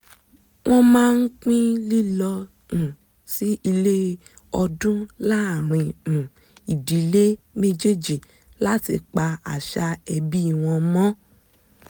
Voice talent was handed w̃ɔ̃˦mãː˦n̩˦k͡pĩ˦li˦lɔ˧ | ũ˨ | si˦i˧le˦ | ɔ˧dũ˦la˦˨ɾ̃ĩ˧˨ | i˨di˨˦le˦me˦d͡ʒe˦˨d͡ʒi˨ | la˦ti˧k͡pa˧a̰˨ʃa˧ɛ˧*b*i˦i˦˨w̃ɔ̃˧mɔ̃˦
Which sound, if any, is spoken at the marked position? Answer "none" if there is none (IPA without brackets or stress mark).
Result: b